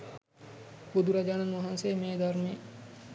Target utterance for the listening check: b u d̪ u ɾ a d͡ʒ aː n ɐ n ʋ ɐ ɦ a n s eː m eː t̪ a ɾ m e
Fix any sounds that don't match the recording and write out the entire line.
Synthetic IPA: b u d̪ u ɾ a d͡ʒ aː n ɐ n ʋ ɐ ɦ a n s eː m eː d̪ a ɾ m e